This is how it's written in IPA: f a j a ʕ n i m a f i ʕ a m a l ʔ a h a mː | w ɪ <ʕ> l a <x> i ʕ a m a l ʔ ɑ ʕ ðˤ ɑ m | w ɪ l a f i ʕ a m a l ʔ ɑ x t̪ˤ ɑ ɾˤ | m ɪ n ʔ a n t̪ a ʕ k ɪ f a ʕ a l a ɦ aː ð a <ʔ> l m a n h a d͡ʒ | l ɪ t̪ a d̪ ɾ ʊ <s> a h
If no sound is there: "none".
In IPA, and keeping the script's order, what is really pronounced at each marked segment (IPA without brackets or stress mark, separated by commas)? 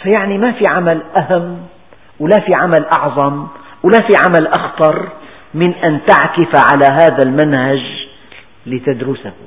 none, f, none, s